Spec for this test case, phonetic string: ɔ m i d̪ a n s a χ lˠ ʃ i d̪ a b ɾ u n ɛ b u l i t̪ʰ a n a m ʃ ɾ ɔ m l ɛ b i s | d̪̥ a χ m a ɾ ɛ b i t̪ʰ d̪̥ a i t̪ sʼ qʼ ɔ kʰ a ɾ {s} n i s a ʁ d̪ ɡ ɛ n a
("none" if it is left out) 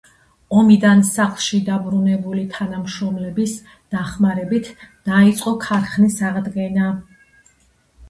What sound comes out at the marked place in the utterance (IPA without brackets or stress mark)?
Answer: χ